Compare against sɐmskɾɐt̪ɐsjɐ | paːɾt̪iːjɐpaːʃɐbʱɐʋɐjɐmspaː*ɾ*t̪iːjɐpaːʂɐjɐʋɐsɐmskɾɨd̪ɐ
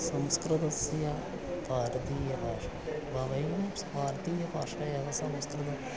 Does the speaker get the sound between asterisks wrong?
no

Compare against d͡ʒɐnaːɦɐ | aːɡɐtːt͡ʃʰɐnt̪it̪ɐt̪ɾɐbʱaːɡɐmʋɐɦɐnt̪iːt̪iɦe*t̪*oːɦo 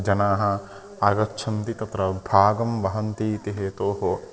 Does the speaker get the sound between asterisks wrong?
no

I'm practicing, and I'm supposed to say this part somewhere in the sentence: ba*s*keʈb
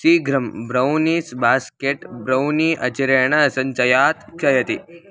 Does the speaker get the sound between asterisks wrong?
no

